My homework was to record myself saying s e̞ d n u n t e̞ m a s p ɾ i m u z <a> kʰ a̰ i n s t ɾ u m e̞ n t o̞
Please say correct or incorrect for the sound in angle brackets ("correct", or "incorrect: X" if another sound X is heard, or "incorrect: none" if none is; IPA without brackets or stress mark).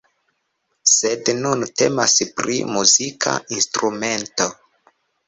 incorrect: i